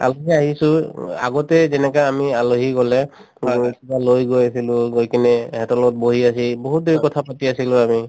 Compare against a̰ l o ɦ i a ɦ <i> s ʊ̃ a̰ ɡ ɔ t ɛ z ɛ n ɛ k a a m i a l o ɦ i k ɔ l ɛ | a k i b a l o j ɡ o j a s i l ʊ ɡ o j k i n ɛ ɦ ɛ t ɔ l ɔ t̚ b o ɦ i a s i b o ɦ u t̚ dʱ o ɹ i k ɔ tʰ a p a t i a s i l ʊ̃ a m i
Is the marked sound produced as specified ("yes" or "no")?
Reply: yes